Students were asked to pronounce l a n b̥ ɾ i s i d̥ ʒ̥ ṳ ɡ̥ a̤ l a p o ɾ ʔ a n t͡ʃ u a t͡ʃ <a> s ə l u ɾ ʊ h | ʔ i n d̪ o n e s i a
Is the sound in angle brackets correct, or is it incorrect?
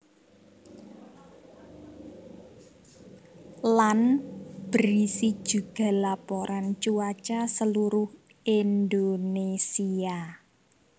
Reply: correct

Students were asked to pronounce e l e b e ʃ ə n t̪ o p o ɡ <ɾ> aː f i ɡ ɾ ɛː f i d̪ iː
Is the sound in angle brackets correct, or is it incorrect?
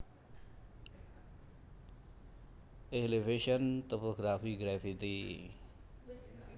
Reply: correct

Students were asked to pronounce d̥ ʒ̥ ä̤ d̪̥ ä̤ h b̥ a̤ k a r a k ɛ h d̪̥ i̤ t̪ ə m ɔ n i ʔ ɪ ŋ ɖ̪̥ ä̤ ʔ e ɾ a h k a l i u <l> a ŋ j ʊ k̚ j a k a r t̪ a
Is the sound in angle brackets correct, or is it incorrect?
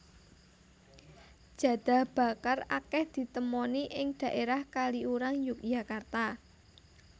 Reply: incorrect: ɾ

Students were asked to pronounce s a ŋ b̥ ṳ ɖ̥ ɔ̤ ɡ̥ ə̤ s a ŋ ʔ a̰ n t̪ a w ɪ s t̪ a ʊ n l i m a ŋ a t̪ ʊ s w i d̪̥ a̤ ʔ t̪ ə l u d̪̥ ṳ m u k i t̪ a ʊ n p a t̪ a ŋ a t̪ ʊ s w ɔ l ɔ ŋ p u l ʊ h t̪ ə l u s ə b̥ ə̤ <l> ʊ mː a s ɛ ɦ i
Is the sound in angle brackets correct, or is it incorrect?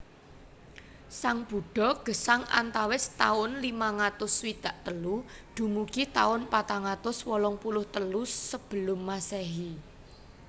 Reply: correct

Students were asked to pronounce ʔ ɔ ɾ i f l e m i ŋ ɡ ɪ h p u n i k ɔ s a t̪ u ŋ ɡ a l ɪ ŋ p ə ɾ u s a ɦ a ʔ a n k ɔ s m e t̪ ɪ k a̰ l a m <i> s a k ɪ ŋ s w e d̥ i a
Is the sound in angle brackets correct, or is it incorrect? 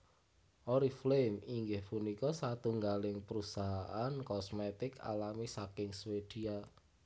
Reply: correct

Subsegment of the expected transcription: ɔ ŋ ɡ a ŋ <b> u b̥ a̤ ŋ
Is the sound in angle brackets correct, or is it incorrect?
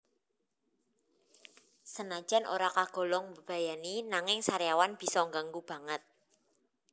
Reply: incorrect: ɡ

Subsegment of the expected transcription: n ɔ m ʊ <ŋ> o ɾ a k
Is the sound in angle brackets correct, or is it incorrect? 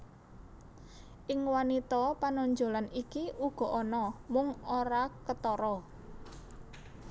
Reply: correct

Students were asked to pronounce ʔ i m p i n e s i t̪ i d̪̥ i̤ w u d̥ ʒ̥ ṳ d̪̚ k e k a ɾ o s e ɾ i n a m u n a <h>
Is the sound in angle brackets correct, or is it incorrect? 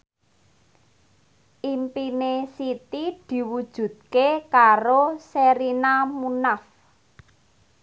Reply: incorrect: f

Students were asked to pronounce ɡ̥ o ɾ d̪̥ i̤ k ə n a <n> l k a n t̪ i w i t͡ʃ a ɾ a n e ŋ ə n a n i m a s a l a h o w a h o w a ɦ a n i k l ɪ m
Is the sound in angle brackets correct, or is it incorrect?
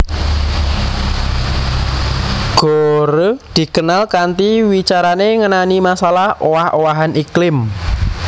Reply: incorrect: none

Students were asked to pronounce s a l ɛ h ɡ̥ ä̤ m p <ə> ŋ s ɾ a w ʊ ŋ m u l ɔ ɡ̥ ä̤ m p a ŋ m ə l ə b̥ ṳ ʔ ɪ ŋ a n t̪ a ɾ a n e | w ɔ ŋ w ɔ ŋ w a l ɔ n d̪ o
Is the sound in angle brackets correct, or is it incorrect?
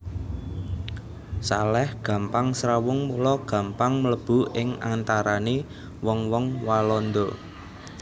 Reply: incorrect: a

